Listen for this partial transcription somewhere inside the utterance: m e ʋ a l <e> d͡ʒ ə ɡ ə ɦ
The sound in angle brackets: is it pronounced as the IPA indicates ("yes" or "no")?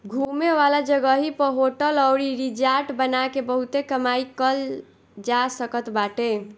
no